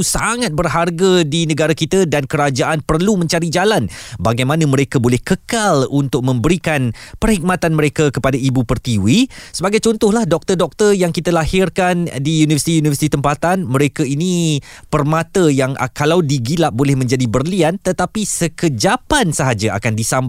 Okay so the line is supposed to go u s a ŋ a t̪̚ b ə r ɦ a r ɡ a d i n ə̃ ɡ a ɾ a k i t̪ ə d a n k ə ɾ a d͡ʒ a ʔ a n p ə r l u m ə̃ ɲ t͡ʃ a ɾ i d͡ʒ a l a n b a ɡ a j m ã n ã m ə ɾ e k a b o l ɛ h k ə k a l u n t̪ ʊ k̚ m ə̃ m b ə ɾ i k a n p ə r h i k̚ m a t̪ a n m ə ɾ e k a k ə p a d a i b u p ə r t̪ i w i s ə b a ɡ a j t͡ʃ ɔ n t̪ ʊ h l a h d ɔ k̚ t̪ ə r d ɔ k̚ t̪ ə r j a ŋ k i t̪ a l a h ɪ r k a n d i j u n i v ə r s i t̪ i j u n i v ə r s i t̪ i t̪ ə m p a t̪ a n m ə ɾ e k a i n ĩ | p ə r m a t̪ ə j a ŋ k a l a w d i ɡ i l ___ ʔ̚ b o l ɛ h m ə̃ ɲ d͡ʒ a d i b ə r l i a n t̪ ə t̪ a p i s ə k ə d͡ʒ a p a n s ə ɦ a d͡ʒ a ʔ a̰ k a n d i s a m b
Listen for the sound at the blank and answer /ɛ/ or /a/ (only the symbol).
a